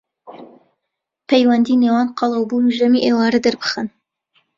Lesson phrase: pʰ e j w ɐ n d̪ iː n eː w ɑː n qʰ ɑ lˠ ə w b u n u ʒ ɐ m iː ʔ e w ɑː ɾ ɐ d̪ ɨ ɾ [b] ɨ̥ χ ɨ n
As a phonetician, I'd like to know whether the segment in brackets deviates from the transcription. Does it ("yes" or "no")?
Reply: no